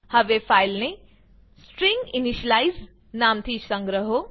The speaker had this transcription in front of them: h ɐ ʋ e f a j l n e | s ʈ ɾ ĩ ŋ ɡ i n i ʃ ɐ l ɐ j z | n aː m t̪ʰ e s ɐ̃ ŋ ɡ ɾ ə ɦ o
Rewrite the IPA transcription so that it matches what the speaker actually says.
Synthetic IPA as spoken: h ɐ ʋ e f a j l n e | s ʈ ɾ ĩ ŋ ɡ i n i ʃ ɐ l a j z | n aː m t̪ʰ i s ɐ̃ ŋ ɡ ɾ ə ɦ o